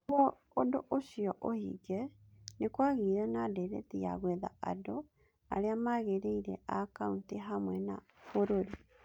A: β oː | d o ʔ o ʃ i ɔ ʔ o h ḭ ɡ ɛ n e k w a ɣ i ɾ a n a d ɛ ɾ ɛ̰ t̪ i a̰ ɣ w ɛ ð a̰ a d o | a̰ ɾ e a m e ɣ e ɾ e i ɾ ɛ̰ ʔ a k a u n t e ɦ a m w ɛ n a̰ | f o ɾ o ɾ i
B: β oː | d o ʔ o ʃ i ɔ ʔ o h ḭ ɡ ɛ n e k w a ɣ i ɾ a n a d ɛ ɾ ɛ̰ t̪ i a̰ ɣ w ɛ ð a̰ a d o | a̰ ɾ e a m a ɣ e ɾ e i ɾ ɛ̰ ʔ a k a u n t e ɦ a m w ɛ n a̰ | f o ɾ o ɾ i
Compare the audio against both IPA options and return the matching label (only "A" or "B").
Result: B